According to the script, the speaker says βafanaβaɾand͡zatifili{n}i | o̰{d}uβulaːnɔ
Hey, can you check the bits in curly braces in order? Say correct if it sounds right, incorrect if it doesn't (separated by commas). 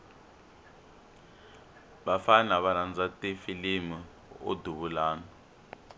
incorrect, correct